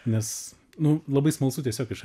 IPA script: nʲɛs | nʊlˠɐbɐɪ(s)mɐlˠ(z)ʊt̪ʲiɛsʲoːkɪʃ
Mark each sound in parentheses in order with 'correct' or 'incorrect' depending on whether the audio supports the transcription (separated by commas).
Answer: correct, incorrect